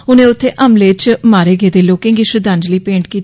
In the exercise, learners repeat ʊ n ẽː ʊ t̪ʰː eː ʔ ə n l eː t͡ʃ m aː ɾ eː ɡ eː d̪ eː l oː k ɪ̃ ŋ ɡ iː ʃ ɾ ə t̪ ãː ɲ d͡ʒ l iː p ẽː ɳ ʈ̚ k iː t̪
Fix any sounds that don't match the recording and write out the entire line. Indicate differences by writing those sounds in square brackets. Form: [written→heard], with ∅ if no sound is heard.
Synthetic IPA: ʊ n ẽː ʊ t̪ʰː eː ʔ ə [n→m] l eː t͡ʃ m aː ɾ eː ɡ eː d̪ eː l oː k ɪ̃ ŋ ɡ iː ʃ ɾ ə [t̪→d̪] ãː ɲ d͡ʒ l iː p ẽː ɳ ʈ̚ k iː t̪